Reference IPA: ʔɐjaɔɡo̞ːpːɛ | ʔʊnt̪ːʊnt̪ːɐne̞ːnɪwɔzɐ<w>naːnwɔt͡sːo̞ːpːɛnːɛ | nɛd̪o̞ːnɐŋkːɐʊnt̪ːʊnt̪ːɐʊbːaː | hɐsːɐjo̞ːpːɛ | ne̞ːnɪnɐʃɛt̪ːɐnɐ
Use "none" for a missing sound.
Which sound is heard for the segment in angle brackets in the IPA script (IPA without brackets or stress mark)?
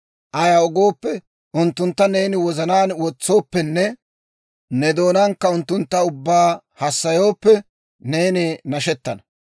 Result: none